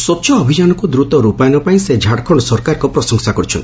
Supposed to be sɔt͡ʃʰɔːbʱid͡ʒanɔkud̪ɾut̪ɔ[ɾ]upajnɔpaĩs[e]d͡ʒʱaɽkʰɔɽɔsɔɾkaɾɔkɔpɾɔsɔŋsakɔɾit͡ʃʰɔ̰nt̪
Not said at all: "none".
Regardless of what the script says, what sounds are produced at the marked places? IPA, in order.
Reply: ɾ, e

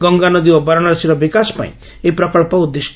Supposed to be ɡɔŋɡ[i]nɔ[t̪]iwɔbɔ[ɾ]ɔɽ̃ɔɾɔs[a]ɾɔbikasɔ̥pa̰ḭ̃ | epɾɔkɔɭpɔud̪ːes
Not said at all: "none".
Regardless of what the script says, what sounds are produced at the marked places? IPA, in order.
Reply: a, d̪, ɾ, i

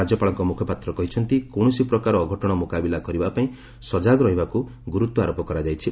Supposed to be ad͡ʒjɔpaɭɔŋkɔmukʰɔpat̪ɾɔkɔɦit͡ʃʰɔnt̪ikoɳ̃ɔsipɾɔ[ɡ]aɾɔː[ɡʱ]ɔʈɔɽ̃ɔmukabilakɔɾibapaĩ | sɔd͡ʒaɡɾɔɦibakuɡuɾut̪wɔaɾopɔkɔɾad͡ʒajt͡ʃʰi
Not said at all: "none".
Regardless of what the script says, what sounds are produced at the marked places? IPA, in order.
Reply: k, ɡʱ

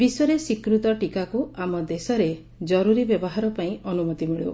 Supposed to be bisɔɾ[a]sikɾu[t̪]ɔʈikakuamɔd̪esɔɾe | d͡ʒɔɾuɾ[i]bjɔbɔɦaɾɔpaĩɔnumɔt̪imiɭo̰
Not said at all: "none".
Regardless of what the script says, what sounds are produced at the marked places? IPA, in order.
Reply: e, t̪, i

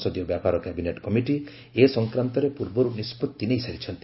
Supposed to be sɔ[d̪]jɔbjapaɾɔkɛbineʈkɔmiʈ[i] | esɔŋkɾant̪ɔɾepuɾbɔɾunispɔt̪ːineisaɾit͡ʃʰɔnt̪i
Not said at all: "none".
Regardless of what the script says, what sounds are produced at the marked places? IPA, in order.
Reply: d̪, i

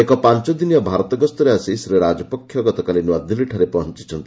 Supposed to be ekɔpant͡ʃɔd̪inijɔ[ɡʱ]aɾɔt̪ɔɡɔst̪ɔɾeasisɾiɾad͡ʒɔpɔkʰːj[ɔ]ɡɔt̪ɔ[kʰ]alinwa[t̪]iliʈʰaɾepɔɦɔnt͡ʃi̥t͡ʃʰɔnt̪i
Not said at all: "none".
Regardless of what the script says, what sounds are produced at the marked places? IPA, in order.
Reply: bʱ, ɔ, k, d̪

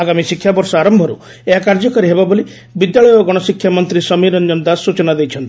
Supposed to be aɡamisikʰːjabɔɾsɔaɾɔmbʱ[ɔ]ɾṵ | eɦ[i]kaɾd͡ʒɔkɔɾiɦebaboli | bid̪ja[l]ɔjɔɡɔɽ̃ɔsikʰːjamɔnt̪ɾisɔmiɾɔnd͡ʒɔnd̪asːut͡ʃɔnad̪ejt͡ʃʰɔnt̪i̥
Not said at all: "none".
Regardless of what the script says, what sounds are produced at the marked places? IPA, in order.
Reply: ɔ, a, ɭ

